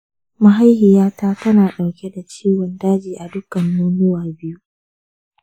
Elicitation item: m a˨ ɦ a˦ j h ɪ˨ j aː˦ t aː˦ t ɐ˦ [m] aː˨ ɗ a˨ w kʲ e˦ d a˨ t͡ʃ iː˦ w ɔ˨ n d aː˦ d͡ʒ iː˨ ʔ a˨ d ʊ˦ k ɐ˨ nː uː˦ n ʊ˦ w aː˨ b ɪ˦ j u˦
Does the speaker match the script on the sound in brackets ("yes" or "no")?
no